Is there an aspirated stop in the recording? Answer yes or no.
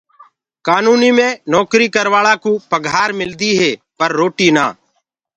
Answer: no